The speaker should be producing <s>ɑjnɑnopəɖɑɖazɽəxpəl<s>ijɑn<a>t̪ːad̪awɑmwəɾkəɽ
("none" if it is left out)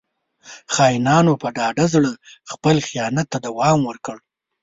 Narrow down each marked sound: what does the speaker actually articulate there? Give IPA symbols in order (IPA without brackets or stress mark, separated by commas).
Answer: x, x, a